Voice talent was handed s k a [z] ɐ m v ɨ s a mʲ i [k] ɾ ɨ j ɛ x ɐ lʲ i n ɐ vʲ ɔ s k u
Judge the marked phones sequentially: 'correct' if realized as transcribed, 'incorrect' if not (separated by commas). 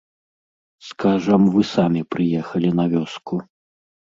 incorrect, incorrect